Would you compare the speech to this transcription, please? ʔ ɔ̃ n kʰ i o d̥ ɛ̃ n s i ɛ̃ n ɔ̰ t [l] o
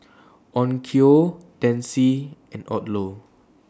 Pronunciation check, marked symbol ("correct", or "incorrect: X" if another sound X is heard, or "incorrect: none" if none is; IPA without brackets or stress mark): correct